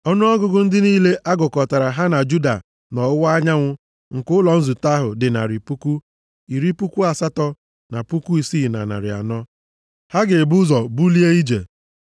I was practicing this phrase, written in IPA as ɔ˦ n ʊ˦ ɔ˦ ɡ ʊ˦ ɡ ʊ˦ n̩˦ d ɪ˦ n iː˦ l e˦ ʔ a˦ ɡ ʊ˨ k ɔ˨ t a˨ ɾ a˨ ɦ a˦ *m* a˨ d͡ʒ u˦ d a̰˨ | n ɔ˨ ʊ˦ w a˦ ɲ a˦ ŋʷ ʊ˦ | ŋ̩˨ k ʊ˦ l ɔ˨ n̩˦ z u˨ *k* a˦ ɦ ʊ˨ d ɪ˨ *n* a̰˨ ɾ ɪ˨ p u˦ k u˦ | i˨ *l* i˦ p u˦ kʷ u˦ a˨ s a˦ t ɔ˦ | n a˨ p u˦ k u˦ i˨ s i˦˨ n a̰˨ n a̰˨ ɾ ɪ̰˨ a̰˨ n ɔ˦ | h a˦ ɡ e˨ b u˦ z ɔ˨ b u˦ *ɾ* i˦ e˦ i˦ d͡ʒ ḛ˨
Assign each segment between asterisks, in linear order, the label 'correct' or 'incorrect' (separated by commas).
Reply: incorrect, incorrect, correct, incorrect, incorrect